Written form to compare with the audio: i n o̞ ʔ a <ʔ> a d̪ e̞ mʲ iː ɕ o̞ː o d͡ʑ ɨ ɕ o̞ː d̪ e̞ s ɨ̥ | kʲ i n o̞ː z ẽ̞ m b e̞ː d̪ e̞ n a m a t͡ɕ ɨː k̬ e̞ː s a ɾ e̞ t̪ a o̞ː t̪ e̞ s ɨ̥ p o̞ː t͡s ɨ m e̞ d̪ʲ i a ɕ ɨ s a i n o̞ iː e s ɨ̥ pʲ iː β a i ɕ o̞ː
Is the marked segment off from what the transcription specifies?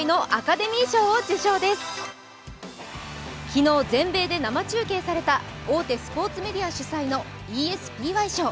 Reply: yes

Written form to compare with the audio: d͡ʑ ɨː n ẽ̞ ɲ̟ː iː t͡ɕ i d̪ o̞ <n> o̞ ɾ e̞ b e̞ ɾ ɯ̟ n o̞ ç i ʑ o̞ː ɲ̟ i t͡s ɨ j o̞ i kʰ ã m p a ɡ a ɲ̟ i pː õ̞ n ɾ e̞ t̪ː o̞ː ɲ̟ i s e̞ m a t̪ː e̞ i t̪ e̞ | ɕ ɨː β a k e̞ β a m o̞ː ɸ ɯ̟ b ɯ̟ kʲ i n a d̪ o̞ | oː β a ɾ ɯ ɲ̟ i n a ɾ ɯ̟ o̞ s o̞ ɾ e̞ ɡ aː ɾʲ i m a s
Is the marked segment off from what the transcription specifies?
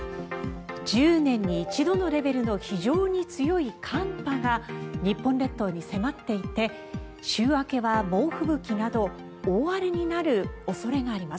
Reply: no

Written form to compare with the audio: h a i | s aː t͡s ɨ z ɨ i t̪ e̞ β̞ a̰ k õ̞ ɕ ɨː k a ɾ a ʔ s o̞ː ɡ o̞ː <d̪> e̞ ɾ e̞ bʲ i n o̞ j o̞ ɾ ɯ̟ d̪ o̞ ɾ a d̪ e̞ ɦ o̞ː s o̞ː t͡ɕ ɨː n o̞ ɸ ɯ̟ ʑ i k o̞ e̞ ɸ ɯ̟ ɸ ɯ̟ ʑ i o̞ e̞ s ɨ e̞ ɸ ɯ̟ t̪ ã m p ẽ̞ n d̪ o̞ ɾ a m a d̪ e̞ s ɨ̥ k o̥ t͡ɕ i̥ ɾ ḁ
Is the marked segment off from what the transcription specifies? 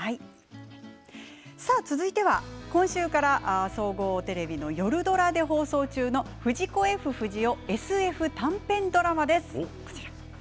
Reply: yes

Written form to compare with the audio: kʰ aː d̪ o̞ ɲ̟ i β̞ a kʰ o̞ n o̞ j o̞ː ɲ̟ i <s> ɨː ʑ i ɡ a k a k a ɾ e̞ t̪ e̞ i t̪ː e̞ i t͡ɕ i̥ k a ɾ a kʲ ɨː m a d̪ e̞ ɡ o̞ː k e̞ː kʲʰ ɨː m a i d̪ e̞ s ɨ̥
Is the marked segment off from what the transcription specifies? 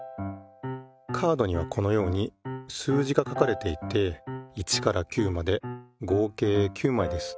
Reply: no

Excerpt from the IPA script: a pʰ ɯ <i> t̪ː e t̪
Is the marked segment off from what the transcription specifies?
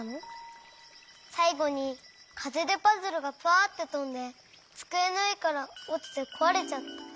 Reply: yes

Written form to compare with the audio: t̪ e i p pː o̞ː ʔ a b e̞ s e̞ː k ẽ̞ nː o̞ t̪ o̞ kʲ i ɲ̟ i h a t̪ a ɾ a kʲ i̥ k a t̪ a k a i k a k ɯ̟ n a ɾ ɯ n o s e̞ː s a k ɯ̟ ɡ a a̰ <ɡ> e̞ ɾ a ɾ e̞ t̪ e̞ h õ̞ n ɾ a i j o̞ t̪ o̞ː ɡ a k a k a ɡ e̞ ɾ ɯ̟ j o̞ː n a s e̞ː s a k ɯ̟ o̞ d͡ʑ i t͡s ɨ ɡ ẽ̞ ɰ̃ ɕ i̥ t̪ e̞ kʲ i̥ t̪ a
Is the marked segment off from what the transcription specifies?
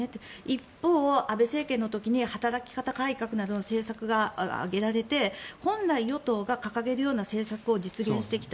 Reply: no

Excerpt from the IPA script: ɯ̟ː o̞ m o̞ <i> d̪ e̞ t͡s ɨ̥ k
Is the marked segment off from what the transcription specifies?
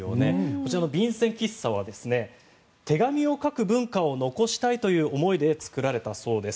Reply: no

